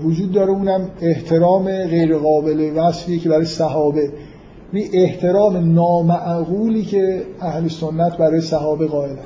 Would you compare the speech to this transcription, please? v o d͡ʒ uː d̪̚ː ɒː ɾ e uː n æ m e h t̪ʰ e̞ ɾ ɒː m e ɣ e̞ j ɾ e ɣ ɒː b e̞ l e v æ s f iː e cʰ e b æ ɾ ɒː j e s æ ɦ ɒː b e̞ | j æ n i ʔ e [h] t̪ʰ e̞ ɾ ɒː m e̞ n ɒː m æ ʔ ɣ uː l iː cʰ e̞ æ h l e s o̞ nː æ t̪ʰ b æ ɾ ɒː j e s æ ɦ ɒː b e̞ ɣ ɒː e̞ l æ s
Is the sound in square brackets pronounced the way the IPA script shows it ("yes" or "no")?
yes